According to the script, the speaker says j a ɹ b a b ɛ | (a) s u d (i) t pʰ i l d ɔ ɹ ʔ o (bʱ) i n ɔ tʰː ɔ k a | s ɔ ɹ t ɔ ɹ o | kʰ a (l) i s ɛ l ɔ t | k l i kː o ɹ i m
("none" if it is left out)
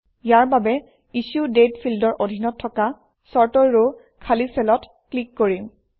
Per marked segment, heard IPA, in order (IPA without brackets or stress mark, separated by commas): i, e, dʱ, l